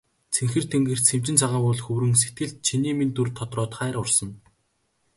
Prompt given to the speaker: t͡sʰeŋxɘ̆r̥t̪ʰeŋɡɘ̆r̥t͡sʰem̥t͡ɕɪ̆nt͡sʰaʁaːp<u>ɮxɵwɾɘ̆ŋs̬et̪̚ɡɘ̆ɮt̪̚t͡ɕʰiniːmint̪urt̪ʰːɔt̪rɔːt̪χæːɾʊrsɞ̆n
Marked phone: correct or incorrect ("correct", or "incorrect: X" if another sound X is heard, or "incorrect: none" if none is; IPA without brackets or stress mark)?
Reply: incorrect: ʊ